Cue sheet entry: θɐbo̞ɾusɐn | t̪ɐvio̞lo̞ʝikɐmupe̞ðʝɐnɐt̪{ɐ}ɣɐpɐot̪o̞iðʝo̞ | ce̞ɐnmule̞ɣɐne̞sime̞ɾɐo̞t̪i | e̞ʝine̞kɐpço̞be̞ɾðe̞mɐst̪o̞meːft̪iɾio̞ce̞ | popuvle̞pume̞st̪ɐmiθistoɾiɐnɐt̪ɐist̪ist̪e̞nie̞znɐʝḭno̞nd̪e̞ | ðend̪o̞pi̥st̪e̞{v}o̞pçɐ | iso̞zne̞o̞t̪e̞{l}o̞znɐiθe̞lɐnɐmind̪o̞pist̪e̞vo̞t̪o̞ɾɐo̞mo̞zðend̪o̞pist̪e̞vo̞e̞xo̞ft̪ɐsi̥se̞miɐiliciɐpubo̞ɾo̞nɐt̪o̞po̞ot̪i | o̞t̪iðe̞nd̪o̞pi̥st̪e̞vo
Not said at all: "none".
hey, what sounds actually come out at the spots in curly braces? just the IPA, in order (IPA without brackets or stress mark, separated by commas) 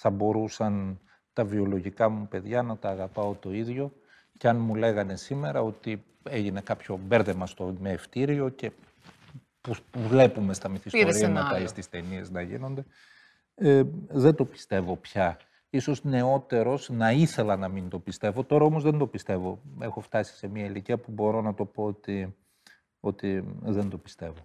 ɐː, v, ɾ